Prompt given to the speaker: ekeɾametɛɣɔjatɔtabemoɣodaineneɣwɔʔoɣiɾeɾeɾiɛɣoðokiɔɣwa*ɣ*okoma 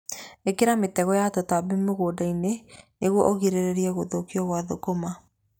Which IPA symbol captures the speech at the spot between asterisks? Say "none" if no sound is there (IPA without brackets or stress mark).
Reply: ð